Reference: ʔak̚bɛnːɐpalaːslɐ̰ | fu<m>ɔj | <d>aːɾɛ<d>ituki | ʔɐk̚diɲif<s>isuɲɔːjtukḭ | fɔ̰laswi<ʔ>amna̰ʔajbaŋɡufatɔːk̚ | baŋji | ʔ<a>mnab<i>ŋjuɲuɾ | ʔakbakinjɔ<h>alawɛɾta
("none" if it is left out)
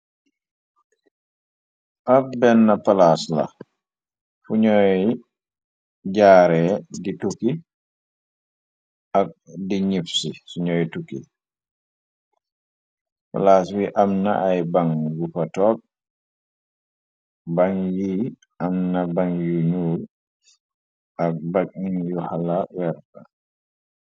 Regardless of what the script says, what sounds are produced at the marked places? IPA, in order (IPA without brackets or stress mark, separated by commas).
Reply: ɲ, ɟ, d, s, ʔ, a, a, h